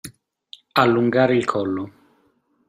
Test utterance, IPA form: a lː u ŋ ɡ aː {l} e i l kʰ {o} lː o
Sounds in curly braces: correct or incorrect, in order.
incorrect: ɾ, incorrect: ɔ

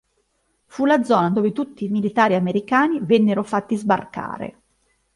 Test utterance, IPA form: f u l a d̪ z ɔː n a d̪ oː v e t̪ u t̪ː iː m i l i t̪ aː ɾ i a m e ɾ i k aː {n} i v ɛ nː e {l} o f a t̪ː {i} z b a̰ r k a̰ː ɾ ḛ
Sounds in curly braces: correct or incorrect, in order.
correct, incorrect: ɾ, correct

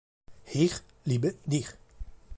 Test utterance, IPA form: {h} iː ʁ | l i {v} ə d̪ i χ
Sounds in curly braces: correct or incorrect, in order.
correct, incorrect: b

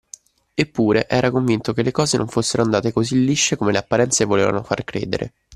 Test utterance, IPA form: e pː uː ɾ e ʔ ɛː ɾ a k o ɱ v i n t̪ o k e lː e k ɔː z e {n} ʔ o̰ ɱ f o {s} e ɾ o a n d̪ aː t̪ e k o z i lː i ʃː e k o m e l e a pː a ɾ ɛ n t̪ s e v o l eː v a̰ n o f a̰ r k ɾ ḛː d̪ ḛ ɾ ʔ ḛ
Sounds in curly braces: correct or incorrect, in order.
correct, incorrect: sː

